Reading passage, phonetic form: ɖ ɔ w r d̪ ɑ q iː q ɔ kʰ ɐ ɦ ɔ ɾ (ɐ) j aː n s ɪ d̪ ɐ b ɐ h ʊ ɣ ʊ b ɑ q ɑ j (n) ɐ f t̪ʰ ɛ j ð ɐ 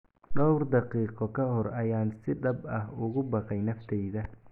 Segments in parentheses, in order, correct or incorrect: correct, correct

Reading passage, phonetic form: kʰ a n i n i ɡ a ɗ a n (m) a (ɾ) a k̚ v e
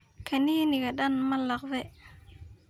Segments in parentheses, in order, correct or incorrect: correct, incorrect

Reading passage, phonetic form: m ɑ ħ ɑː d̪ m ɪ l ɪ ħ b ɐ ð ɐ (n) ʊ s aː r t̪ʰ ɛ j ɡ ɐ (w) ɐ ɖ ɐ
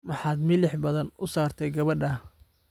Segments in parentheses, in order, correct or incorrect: correct, incorrect

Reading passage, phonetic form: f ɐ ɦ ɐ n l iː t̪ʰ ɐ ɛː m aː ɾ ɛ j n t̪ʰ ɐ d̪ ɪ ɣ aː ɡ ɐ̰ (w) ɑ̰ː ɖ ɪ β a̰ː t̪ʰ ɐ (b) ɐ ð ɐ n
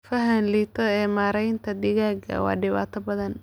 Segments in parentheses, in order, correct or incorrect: correct, correct

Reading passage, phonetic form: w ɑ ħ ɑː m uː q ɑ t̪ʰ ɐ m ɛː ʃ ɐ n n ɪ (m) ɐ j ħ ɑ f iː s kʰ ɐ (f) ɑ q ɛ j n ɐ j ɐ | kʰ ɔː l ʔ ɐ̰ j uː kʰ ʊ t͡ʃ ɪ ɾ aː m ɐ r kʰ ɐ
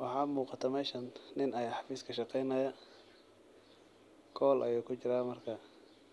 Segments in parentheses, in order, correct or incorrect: incorrect, incorrect

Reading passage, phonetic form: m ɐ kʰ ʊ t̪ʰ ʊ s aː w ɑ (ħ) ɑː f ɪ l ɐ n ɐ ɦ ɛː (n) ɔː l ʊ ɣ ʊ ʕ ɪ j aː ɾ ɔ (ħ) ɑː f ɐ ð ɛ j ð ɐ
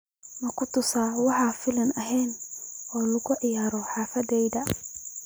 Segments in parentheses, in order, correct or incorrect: correct, correct, correct

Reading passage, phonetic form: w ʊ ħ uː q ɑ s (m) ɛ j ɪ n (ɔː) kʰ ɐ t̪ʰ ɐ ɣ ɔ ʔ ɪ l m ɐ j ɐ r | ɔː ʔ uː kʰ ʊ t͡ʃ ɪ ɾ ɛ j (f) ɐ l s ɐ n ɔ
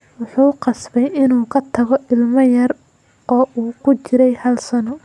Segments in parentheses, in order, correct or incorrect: incorrect, incorrect, incorrect

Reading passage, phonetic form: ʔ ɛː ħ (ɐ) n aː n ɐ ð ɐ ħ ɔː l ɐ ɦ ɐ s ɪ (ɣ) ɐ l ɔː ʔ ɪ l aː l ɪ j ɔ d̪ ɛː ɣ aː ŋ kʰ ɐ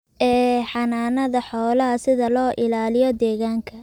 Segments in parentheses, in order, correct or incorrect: incorrect, incorrect

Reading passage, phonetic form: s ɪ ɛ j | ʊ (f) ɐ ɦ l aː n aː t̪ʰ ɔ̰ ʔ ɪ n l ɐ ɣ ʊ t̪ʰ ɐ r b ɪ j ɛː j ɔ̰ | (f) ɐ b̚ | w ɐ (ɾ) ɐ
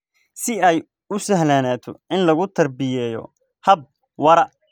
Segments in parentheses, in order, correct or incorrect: incorrect, incorrect, correct

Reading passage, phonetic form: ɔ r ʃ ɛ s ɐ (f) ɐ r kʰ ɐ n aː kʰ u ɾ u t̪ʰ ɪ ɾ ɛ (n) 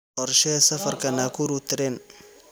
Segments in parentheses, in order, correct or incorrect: correct, correct

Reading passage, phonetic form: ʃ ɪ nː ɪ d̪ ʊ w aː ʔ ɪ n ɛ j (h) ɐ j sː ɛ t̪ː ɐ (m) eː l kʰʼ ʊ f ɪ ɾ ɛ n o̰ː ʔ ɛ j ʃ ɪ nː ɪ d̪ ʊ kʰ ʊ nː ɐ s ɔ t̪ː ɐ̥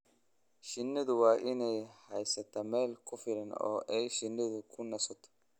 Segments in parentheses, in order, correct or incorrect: correct, correct

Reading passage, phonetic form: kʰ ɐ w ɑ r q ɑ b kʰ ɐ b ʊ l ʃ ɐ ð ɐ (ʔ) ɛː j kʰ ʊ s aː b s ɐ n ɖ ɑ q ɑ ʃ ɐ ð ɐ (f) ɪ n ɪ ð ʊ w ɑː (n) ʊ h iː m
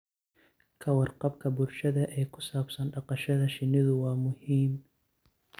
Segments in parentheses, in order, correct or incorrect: correct, incorrect, incorrect

